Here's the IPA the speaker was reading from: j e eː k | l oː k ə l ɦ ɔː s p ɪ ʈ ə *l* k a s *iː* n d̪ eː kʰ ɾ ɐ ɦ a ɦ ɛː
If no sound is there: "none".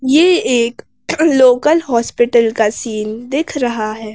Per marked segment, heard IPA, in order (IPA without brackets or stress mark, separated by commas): l, iː